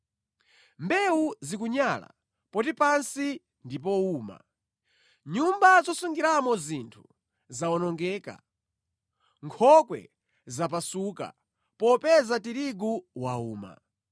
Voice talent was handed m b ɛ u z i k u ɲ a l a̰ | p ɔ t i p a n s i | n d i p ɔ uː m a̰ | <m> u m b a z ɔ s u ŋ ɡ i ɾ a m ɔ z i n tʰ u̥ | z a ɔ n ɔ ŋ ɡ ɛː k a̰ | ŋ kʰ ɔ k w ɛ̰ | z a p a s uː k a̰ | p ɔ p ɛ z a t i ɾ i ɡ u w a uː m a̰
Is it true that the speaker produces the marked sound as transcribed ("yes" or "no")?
no